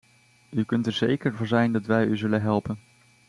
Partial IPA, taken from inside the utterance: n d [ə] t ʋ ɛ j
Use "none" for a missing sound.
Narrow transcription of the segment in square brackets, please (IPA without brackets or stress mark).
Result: ɑ